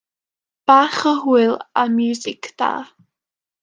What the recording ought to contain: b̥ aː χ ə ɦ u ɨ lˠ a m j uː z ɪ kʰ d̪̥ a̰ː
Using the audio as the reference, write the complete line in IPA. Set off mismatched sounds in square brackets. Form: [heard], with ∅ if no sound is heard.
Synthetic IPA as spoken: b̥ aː χ ə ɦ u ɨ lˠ a m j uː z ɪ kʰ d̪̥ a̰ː